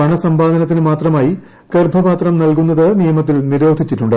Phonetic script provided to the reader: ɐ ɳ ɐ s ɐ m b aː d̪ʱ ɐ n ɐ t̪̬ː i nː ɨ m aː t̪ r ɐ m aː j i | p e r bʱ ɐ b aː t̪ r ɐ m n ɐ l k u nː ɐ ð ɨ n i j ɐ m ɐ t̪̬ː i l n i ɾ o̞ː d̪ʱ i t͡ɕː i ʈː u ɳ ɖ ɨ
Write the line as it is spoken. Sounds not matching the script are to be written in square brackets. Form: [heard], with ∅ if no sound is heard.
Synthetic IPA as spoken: ɐ ɳ ɐ s ɐ m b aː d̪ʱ ɐ n ɐ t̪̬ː i [n] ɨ m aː t̪ r ɐ m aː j i | [k] e r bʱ ɐ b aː t̪ r ɐ m n ɐ l k u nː ɐ ð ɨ n i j ɐ m ɐ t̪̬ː i l n i ɾ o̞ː d̪ʱ i t͡ɕː i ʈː u ɳ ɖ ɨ